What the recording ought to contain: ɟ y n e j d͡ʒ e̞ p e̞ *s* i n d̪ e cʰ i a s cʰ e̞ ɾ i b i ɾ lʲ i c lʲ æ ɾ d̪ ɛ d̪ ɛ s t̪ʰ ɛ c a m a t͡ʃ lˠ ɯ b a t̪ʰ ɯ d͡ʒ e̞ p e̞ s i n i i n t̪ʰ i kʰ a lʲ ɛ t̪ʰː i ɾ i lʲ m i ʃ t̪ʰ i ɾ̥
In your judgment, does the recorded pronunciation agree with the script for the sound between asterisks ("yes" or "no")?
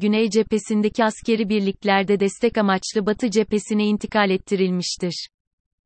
yes